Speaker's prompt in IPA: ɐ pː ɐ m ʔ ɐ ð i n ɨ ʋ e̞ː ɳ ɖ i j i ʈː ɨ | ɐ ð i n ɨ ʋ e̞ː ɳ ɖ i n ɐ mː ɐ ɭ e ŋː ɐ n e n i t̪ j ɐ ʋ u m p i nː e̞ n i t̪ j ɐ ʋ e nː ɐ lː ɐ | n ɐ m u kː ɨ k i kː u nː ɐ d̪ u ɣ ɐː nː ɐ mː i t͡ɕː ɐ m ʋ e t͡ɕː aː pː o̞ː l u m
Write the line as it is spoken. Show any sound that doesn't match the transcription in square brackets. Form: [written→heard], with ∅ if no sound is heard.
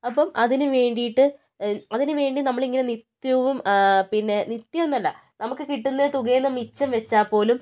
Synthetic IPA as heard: ɐ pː ɐ m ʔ ɐ ð i n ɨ ʋ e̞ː ɳ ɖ i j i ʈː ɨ | ɐ ð i n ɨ ʋ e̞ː ɳ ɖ i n ɐ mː ɐ ɭ [e→i] ŋː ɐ n e n i t̪ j ɐ ʋ u m p i nː e̞ n i t̪ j ɐ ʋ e nː ɐ lː ɐ | n ɐ m u kː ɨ k i [kː→ʈː] u nː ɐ [d̪→t̪] u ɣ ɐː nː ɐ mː i t͡ɕː ɐ m ʋ e t͡ɕː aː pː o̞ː l u m